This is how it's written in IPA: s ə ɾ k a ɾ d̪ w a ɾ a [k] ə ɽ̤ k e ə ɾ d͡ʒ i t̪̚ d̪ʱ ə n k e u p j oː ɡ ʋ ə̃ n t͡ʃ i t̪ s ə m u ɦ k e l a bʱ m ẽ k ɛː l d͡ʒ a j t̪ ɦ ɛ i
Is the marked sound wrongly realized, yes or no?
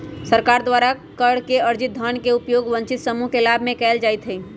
no